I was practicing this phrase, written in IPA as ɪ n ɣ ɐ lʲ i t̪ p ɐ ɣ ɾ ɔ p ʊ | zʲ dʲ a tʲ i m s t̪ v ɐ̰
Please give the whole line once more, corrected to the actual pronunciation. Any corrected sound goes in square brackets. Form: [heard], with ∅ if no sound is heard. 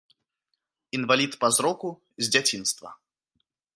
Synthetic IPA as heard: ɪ n [v] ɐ lʲ i t̪ p ɐ [z] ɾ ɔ [k] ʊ | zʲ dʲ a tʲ i [n] s t̪ v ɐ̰